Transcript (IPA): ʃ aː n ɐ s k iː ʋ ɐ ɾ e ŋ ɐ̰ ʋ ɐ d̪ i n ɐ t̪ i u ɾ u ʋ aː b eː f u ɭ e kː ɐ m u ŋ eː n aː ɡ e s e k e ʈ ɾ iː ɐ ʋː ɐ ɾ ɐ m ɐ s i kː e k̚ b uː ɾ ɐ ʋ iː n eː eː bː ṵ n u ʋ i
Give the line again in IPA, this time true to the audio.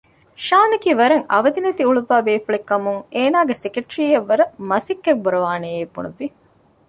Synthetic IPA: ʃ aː n ɐ k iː ʋ ɐ ɾ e ŋ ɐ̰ ʋ ɐ d̪ i n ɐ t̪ i u ɭ u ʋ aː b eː f u ɭ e kː ɐ m u ŋ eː n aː ɡ e s e k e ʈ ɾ iː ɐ ʋː ɐ ɾ ɐ m ɐ s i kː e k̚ b u ɾ ɐ ʋ aː n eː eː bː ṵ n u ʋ i